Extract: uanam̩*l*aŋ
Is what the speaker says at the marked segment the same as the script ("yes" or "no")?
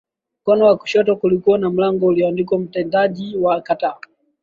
yes